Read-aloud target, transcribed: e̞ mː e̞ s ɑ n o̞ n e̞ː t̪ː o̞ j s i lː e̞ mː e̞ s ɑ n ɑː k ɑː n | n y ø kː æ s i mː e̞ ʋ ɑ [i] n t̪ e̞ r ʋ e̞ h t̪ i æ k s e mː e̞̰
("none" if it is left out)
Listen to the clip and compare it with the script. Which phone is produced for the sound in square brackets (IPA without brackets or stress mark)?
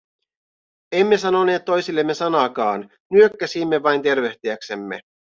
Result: j